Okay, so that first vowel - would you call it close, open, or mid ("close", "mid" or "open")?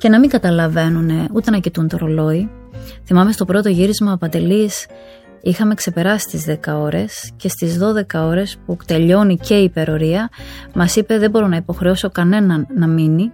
mid